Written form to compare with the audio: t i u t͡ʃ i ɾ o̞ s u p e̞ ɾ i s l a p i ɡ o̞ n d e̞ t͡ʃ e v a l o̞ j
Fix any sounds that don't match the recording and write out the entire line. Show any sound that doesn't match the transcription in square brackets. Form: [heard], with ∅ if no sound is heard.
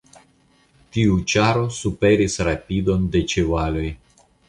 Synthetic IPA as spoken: t i u t͡ʃ [a] ɾ o̞ s u p e̞ ɾ i s [ɾ] a p i [d] o̞ n d e̞ t͡ʃ e v a l o̞ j

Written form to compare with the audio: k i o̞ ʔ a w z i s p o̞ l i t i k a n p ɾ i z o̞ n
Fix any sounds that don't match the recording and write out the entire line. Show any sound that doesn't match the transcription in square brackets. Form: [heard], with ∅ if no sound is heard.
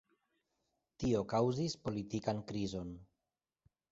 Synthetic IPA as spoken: [t] i o̞ [k] a w z i s p o̞ l i t i k a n [k] ɾ i z o̞ n

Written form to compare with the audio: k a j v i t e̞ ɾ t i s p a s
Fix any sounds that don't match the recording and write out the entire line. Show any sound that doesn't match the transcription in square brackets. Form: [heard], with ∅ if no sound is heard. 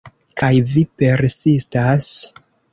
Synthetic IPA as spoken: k a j v i [p] e̞ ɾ [s] i s [t] a s

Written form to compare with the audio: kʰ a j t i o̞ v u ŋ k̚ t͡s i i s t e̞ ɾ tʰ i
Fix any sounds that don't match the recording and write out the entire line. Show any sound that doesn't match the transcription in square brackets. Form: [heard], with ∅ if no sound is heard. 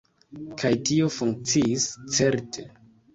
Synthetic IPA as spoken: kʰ a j t i o̞ [f] u ŋ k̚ t͡s i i s [t͡s] e̞ ɾ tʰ [e]

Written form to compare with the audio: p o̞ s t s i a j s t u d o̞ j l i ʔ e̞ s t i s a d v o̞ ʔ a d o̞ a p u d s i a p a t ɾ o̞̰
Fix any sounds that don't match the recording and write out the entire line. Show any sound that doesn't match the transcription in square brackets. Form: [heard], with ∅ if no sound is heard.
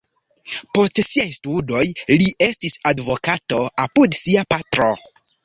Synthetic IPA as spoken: p o̞ s t s i a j s t u d o̞ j l i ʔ e̞ s t i s a d v o̞ [k] a [t] o̞ a p u d s i a p a t ɾ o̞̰

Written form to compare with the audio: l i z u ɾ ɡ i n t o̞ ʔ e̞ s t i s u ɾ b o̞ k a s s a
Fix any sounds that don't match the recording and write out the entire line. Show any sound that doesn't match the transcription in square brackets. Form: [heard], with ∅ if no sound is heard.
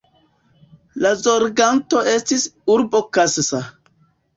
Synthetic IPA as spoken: l [a] z [o] ɾ ɡ [a] n t o̞ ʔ e̞ s t i s u ɾ b o̞ k a s s a

